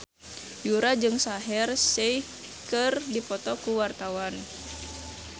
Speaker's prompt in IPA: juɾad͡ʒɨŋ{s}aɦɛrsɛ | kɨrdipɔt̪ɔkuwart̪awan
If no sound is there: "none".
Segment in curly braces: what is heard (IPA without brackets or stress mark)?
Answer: s